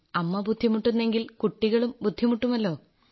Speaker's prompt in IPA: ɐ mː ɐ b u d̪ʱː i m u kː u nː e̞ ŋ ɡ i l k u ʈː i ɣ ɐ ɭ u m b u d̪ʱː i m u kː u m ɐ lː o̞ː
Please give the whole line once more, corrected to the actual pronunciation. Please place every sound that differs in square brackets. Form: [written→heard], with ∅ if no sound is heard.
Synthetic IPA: ɐ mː ɐ b u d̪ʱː i m u [kː→ʈː] u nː e̞ ŋ ɡ i l k u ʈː i ɣ ɐ ɭ u m b u d̪ʱː i m u [kː→ʈː] u m ɐ lː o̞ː

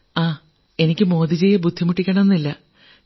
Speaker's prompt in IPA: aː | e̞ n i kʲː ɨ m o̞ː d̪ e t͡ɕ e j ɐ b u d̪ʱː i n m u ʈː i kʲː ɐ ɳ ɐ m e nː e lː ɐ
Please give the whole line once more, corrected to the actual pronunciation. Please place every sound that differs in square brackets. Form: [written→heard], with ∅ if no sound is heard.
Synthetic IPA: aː | e̞ n i kʲː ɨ m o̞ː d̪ [e→i] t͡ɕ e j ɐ b u d̪ʱː i [n→∅] m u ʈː i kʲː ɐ ɳ ɐ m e nː [e→i] lː ɐ

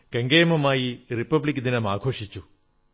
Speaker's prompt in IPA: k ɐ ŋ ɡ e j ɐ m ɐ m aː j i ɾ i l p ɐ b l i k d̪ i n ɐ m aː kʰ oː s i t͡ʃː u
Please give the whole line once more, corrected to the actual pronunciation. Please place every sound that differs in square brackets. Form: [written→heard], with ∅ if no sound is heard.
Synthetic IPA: k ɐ ŋ ɡ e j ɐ m ɐ m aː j i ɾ i [l→∅] p ɐ b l i k d̪ i n ɐ m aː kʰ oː [s→ʂ] i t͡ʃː u

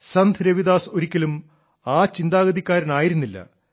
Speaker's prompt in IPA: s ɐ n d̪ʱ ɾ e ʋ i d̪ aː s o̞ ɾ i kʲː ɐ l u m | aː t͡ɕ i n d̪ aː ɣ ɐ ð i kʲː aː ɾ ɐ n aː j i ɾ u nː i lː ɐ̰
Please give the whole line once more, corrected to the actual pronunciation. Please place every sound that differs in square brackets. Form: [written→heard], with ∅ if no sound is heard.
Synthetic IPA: s ɐ n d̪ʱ ɾ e ʋ i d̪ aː s o̞ ɾ i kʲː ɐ l u m | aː t͡ɕ i n d̪ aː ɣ ɐ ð i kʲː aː ɾ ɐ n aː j i ɾ u nː i lː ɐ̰

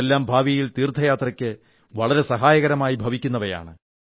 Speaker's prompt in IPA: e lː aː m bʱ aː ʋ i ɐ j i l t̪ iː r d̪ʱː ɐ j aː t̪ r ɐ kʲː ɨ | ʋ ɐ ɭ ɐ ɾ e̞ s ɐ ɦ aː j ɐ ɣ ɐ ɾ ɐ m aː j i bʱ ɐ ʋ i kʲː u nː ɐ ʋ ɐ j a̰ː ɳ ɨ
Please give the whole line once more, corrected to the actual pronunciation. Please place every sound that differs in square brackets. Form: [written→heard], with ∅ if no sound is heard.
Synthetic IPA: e lː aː m bʱ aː ʋ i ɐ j i l t̪ iː r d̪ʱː ɐ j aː t̪ r ɐ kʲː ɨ | ʋ ɐ ɭ ɐ ɾ e̞ s ɐ ɦ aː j ɐ ɣ ɐ ɾ ɐ m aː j i bʱ ɐ ʋ i kʲː u nː ɐ ʋ ɐ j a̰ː ɳ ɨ

